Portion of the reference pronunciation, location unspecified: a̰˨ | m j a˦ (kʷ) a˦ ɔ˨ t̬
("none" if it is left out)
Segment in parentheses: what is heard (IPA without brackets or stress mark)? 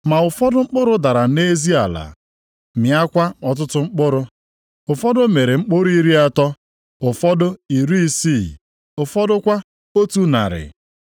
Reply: kʷ